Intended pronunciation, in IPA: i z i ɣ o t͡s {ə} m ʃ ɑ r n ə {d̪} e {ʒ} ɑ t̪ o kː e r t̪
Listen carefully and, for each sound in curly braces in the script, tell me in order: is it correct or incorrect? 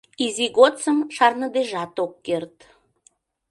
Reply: correct, correct, correct

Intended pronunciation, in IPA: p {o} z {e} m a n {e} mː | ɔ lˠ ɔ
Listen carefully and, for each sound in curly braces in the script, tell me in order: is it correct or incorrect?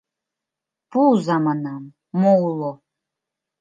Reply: incorrect: u, incorrect: a, incorrect: a

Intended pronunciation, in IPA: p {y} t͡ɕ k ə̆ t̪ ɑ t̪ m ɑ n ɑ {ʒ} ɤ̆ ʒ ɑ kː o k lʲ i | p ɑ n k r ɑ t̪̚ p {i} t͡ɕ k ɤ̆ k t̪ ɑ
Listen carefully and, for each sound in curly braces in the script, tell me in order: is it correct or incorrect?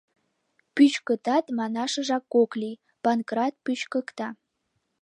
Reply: correct, incorrect: ʃ, incorrect: y

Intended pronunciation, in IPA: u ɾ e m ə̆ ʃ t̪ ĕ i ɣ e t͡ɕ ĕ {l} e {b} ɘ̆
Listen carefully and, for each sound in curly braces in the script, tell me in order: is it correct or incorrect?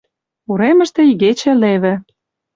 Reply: correct, incorrect: β

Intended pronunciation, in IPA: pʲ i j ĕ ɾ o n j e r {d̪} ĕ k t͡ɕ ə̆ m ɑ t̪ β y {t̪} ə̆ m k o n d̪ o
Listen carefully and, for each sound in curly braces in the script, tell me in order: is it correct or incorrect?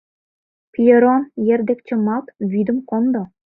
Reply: correct, incorrect: d̪

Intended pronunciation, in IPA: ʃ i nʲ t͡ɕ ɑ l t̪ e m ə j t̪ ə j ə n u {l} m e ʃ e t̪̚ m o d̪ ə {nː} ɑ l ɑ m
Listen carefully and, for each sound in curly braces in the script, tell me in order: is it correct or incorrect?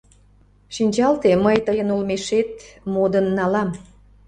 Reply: correct, correct

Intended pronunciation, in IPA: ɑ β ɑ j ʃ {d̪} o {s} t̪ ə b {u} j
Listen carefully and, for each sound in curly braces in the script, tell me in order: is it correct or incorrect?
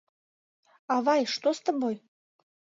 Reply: incorrect: t̪, correct, incorrect: o

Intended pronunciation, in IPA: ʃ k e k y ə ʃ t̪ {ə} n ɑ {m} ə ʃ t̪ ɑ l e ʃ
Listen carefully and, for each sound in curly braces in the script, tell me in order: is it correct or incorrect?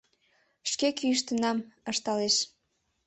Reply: correct, correct

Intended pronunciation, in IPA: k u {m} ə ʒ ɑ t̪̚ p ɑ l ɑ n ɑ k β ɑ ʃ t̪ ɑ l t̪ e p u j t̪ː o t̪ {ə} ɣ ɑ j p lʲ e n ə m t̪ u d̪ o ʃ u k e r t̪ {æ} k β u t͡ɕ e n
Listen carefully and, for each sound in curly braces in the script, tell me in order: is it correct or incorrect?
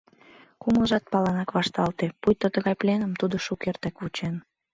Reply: correct, correct, correct

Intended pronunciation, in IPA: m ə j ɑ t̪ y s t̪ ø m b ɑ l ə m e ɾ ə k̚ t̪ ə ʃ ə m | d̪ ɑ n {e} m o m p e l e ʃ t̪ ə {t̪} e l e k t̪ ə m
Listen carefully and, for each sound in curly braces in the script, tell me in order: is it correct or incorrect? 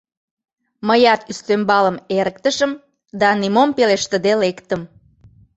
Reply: incorrect: i, incorrect: d̪

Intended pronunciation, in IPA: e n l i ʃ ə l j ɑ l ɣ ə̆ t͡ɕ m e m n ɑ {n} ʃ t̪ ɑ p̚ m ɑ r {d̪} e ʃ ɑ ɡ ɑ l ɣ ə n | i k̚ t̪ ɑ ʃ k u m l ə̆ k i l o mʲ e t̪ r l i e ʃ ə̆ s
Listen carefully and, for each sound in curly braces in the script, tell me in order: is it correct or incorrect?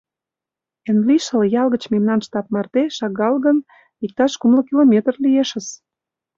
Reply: correct, incorrect: t̪

